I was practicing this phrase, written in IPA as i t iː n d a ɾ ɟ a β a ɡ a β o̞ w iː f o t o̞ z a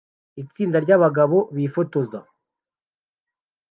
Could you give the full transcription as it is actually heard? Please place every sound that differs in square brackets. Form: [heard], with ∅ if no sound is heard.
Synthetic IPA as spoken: i [t͡s] iː n d a ɾ ɟ a β a ɡ a β o̞ [β] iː f o t o̞ z a